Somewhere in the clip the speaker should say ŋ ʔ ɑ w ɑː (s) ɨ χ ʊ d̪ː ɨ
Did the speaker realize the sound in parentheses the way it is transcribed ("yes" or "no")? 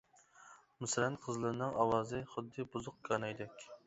no